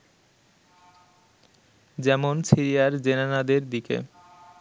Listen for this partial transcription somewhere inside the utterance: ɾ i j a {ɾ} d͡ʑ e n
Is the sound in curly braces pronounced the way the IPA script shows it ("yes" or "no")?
yes